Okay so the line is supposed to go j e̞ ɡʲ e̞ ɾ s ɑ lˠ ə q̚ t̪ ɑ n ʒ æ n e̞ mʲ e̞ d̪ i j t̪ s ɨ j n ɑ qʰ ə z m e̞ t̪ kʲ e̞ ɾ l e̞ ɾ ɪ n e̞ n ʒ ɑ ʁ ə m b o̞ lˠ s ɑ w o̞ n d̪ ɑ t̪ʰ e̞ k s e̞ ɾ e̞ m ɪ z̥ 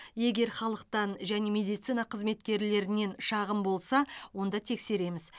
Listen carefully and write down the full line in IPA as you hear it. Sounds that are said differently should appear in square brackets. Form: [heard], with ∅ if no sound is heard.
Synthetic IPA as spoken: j e̞ ɡʲ e̞ ɾ [χ] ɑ lˠ ə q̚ t̪ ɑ n ʒ æ n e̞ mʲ e̞ d̪ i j t̪ s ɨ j n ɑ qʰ ə z m e̞ t̪ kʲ e̞ ɾ l e̞ ɾ ɪ n e̞ n [ʃ] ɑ ʁ ə m b o̞ lˠ s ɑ w o̞ n d̪ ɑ t̪ʰ e̞ k s e̞ ɾ e̞ m ɪ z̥